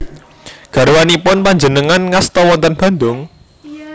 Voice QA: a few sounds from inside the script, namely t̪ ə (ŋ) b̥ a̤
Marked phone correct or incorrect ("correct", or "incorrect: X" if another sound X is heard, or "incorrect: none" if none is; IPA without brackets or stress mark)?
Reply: incorrect: n